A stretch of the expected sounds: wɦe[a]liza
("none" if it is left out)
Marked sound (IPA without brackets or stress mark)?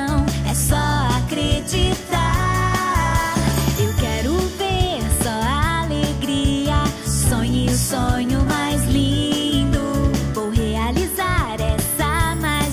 a